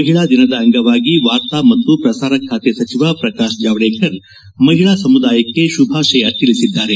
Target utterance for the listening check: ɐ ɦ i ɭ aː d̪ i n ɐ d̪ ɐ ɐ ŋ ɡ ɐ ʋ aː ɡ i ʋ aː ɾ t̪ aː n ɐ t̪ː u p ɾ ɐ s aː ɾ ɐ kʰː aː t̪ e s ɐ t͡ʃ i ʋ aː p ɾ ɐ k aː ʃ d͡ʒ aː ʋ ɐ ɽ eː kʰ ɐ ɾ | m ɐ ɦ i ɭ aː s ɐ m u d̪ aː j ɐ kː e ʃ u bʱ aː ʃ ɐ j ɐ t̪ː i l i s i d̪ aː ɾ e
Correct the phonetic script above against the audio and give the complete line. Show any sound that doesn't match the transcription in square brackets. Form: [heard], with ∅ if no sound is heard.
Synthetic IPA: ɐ ɦ i ɭ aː d̪ i n ɐ d̪ ɐ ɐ ŋ ɡ ɐ ʋ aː ɡ i ʋ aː ɾ t̪ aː [m] ɐ t̪ː u p ɾ ɐ s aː ɾ ɐ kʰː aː t̪ e s ɐ t͡ʃ i ʋ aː p ɾ ɐ k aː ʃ d͡ʒ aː ʋ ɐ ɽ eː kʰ ɐ ɾ | m ɐ ɦ i ɭ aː s ɐ m u d̪ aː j ɐ kː e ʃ u bʱ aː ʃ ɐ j ɐ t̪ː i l i s i [d̪ː] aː ɾ e